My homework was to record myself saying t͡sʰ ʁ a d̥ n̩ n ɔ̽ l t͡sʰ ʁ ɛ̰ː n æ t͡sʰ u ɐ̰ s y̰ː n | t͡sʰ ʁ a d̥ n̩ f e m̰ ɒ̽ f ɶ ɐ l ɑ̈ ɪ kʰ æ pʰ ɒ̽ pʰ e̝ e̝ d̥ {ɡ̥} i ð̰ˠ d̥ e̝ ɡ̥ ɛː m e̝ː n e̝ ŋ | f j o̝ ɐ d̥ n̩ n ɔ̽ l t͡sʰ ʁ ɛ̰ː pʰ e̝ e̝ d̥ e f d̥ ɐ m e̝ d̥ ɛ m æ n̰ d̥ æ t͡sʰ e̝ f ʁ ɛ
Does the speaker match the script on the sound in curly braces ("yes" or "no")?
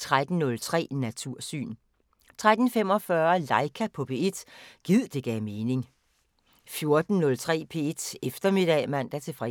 yes